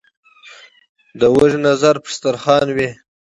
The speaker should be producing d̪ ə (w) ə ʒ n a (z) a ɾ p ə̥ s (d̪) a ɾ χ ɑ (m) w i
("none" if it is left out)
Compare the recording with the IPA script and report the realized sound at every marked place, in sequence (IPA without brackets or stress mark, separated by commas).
w, z, t̪, n